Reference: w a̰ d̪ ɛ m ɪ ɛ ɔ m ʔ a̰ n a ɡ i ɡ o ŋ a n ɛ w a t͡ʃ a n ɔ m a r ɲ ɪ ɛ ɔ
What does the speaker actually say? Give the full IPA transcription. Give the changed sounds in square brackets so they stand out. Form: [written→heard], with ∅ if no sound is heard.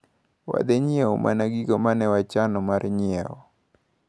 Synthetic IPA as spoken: w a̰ d̪ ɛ [m→ɲ] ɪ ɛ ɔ m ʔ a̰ n a ɡ i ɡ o [ŋ→m] a n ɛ w a t͡ʃ a n ɔ m a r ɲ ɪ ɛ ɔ